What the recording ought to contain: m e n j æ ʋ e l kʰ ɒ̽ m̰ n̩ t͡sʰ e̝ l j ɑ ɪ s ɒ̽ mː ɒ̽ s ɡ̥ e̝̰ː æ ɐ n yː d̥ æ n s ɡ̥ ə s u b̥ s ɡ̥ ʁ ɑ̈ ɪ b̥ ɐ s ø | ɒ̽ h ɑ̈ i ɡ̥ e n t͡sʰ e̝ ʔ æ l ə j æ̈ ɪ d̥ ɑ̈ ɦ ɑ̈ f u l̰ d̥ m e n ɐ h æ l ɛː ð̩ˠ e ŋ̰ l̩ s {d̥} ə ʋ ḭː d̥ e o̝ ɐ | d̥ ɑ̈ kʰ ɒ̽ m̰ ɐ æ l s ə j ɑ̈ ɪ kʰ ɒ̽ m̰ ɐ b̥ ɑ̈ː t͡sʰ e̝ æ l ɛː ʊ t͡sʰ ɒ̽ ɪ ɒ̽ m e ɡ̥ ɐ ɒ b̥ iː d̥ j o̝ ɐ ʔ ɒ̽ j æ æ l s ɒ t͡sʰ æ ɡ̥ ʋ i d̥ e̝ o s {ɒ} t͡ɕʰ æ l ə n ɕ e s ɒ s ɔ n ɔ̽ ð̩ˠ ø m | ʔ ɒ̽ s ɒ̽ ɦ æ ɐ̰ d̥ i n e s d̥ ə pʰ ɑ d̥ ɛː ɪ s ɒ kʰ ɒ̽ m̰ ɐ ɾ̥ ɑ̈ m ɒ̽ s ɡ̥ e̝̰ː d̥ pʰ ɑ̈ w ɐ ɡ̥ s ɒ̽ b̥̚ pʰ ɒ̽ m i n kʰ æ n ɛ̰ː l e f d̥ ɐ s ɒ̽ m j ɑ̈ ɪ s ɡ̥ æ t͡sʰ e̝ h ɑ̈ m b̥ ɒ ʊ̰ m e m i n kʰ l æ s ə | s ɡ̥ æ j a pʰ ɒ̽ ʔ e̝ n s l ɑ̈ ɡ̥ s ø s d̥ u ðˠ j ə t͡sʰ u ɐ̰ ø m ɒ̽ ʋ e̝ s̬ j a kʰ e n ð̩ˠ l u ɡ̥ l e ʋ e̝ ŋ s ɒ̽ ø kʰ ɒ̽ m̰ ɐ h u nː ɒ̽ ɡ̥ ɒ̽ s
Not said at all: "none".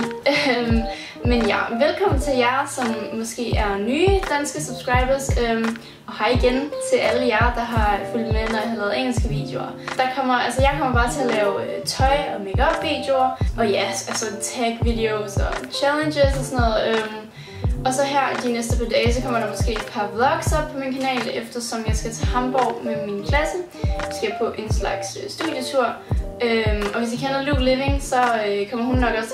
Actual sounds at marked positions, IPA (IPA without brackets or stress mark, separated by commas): ɡ̥, ɒ